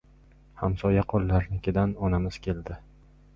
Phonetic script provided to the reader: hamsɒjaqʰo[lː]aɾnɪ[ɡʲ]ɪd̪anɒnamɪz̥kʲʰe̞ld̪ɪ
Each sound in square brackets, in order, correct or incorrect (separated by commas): correct, incorrect